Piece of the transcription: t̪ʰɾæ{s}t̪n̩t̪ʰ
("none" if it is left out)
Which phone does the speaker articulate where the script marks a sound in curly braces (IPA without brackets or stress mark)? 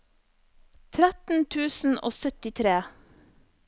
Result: none